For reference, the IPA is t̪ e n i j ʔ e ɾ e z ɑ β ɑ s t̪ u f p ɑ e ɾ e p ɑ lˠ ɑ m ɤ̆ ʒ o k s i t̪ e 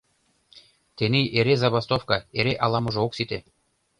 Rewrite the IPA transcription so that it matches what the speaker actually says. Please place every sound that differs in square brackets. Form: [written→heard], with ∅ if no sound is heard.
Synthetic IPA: t̪ e n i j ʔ e ɾ e z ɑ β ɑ s t̪ [u→o] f [p→k] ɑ e ɾ e [p→ʔ] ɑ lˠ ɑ m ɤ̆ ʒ o k s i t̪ e

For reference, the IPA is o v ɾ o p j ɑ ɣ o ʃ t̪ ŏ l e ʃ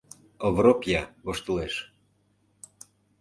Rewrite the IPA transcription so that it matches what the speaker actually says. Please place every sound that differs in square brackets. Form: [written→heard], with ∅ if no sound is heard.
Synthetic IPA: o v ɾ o p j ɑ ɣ o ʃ t̪ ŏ l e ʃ

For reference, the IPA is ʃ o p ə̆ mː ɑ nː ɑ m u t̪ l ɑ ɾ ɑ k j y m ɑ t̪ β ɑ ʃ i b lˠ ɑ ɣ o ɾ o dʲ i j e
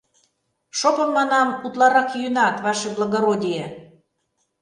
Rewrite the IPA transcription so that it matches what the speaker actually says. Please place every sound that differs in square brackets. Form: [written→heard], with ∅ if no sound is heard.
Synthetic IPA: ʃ o p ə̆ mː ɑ [nː→n] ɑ m u t̪ l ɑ ɾ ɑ k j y [m→n] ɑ t̪ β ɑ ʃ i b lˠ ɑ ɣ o ɾ o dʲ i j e

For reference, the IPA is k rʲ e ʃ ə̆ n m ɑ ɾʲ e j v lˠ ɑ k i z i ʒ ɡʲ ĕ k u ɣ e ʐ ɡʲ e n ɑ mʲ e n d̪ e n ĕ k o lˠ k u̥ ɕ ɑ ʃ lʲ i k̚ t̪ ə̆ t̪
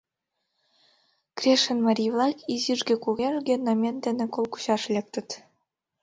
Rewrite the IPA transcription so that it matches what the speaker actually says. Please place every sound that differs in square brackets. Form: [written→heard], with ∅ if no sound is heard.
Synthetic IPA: k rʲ e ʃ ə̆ n m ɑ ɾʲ [e→i] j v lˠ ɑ k i z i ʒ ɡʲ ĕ k u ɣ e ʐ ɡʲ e n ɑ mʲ e n d̪ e n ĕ k o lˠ k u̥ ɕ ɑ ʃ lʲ [i→e] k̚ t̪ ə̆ t̪

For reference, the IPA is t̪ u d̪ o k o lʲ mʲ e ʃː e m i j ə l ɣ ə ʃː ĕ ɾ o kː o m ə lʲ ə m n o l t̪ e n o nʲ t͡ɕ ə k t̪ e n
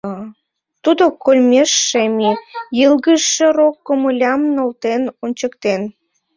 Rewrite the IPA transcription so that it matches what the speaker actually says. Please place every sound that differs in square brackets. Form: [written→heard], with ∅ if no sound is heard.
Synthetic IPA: t̪ u d̪ o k o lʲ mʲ e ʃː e m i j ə l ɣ ə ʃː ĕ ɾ o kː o m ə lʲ [ə→ɑ] m n o l t̪ e n o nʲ t͡ɕ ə k t̪ e n

